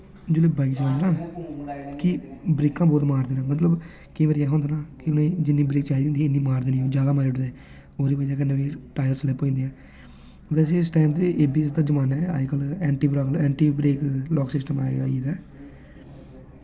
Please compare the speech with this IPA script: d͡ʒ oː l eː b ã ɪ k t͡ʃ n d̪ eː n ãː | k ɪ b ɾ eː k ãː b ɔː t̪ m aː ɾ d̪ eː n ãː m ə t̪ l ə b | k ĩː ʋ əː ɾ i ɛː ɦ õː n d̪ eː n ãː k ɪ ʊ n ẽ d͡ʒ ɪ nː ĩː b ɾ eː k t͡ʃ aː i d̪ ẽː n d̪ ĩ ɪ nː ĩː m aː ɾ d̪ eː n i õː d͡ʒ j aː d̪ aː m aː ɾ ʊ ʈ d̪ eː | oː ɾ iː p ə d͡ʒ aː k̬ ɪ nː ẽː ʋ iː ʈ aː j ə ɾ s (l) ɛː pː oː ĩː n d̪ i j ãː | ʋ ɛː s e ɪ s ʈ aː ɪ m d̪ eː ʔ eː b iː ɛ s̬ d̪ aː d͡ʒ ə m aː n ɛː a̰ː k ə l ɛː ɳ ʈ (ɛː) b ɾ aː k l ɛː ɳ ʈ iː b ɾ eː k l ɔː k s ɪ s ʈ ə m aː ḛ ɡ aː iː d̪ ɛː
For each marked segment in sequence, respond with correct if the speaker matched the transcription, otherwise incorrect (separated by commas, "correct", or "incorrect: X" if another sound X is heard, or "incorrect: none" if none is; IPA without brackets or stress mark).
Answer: correct, incorrect: iː